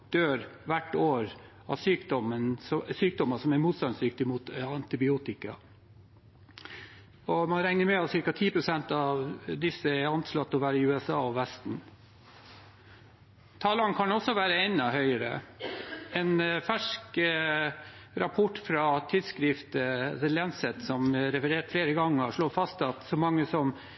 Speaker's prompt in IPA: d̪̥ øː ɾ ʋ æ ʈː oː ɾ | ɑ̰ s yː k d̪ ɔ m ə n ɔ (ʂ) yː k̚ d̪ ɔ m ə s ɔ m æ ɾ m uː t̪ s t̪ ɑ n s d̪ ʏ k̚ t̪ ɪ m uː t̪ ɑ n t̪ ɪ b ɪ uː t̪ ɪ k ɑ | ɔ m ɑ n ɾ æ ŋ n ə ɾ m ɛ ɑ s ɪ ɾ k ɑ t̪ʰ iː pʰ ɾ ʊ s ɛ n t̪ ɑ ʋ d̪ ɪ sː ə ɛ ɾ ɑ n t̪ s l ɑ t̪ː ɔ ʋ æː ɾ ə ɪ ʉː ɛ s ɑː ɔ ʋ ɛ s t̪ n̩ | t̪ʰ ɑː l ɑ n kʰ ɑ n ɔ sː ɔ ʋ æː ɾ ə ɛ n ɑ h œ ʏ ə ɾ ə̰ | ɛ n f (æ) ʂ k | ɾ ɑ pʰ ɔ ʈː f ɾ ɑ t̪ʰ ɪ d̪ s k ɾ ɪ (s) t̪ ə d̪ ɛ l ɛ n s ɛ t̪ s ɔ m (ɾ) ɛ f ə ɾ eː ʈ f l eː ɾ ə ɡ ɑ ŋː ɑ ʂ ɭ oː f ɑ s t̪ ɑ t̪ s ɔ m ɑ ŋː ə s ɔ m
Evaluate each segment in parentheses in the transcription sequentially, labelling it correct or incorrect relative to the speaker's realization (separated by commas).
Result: incorrect, correct, incorrect, correct